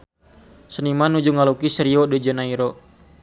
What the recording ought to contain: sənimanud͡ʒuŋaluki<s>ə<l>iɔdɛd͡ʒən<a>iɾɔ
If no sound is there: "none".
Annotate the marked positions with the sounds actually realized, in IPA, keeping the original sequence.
s, ɾ, a

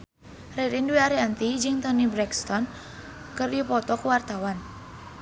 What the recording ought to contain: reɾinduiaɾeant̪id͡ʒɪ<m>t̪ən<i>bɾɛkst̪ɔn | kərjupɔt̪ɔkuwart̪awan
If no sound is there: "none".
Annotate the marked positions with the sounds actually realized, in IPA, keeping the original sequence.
ŋ, i

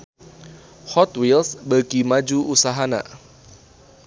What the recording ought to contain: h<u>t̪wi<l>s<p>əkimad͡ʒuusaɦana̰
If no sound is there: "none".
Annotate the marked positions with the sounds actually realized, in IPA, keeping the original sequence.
ɔ, l, b

